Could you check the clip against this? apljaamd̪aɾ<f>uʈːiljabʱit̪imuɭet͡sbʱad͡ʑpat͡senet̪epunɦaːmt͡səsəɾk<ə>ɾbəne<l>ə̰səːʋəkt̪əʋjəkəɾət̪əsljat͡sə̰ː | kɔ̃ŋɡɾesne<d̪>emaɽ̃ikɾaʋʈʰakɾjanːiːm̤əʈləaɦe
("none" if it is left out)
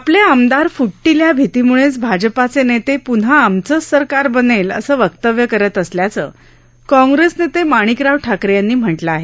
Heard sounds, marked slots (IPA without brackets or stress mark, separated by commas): f, a, l, t̪